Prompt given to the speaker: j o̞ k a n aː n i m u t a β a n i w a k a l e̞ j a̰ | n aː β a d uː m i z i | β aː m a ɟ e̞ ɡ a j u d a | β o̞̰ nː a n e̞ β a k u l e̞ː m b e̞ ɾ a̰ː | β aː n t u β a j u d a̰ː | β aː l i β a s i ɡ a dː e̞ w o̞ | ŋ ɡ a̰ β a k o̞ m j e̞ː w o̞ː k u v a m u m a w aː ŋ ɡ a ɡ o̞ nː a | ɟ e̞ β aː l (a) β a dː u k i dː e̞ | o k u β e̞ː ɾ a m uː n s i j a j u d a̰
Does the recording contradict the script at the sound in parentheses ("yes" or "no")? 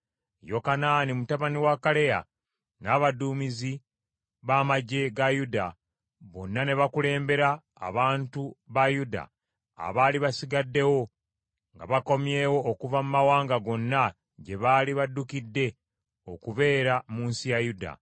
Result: yes